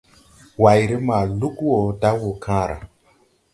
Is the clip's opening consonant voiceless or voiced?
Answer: voiced